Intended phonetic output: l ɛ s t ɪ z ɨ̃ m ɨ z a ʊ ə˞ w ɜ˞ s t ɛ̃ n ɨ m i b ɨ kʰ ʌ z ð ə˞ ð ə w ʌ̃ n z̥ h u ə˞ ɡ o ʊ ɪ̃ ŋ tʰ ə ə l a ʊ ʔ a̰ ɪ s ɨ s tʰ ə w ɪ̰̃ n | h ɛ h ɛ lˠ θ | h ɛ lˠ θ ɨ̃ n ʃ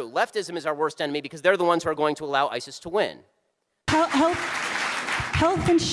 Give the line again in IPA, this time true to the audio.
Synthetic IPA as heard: l ɛ f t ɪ z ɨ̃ m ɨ z a ʊ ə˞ w ɜ˞ s t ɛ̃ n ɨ m i b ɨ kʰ ʌ z ð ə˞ ð ə w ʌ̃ n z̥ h u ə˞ ɡ o ʊ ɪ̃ ŋ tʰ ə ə l a ʊ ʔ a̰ ɪ s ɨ s tʰ ə w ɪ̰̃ n | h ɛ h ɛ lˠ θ | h ɛ lˠ θ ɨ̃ n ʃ